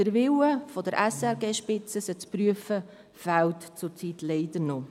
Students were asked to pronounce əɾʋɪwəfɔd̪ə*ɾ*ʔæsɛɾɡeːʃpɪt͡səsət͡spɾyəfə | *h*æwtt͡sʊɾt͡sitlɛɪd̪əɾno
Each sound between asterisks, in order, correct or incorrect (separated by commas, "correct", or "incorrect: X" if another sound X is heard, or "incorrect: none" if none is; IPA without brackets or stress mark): correct, incorrect: f